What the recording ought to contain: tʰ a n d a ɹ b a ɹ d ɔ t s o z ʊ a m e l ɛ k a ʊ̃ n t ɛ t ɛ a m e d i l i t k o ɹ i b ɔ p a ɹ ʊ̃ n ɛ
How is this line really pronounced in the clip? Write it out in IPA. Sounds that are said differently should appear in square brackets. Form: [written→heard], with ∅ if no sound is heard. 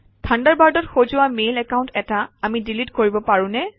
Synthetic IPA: tʰ a n d a ɹ b a ɹ d ɔ t [s→x] o z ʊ a m e l ɛ k a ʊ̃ n t ɛ t [ɛ→a] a m [e→i] d i l i t k o ɹ i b ɔ p a ɹ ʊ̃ n ɛ